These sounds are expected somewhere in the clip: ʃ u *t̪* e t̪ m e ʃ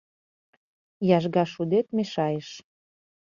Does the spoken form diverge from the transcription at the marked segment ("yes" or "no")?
yes